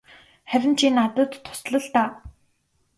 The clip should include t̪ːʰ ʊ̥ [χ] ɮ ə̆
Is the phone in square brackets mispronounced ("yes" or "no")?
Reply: yes